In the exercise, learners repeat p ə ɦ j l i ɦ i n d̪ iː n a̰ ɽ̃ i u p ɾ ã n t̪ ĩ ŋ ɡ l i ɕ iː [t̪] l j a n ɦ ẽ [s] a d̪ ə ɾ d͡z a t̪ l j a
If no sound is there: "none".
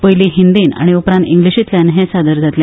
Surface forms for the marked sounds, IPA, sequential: t̪, s

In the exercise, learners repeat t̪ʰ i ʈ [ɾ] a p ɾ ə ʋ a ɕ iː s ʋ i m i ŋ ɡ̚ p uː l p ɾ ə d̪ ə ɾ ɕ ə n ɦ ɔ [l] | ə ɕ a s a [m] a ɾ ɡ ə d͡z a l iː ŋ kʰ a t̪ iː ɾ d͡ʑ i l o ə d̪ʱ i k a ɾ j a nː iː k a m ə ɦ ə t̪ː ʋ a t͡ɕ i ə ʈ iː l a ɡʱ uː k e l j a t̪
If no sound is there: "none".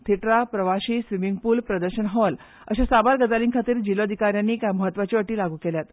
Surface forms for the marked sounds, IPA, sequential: ɾ, l, b

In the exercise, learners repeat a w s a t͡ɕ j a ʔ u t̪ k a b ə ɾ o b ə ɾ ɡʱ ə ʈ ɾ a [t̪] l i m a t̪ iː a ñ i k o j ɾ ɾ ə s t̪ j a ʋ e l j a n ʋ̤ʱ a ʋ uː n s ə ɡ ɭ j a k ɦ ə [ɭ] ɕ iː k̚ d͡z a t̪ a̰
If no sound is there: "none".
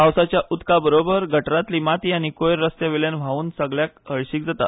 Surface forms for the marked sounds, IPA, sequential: t̪, ɭ

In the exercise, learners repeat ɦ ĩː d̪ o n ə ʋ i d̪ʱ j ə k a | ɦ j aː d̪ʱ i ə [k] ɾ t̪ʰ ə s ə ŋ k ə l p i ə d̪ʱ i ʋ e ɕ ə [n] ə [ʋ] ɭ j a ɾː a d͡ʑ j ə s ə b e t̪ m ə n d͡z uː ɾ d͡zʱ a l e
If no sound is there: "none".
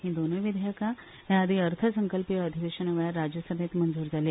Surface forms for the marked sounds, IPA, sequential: none, n, ʋ

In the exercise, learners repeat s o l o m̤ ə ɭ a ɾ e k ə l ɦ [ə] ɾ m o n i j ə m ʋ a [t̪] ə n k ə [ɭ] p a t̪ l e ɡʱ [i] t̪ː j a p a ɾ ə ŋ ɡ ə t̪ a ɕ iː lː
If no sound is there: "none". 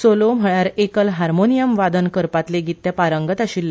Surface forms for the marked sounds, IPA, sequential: a, d̪, ɾ, i

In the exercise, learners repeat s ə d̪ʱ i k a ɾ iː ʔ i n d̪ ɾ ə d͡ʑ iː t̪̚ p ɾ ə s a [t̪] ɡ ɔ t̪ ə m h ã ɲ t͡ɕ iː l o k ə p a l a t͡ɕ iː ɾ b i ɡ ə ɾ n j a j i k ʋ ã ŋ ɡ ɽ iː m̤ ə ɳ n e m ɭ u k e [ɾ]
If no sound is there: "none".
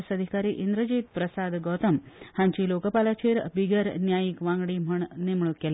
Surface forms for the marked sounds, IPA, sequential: d̪, l

